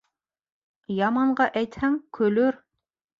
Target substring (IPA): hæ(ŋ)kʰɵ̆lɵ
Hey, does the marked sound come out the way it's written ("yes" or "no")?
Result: yes